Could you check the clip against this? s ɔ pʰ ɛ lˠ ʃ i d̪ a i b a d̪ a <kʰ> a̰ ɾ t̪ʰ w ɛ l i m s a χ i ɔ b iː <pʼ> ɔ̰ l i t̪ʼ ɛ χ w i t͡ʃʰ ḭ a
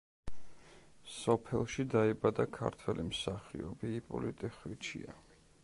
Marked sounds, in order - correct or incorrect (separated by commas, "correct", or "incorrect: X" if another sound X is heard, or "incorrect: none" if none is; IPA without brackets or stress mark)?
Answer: correct, correct